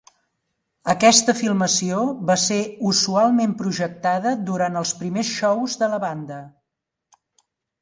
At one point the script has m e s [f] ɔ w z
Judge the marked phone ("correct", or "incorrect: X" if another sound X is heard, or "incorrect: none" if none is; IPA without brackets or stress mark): incorrect: ʃ